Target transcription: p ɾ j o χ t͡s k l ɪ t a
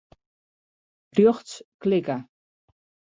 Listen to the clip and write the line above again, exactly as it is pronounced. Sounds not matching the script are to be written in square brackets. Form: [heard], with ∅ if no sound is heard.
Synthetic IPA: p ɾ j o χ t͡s k l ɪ [k] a